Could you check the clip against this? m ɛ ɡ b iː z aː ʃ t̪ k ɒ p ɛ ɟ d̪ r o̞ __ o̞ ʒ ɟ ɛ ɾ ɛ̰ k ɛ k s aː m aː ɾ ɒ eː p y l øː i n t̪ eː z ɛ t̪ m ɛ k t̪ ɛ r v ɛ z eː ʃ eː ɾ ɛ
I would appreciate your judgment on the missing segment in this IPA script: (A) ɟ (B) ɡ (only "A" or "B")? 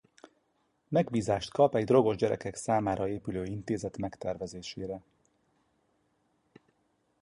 B